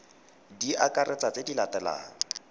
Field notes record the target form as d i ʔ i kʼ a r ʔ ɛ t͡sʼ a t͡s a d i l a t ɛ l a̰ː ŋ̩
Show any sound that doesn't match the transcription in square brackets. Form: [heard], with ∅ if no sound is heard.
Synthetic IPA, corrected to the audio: d i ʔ [a] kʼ a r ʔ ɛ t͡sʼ a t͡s [e] d i l a t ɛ l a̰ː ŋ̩